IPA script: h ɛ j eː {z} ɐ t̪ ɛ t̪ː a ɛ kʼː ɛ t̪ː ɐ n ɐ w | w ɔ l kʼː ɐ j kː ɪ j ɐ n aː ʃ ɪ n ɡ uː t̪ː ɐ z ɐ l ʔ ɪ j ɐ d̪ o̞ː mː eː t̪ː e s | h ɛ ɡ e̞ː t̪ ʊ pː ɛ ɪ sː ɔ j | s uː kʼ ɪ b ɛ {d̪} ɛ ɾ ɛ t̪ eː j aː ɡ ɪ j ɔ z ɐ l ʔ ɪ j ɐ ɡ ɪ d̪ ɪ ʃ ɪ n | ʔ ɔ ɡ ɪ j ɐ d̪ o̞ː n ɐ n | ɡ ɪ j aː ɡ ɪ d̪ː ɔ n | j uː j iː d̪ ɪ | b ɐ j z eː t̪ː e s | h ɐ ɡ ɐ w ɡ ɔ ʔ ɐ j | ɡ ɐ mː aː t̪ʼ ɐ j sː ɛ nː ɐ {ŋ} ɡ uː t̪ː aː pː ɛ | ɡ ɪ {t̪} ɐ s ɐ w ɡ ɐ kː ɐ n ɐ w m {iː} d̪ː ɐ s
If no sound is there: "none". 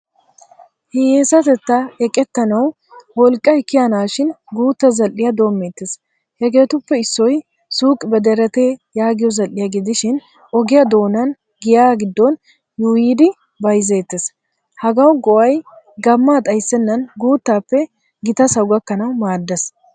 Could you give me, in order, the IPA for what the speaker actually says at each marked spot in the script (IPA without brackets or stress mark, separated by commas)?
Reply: s, d̪, n, t̪, aː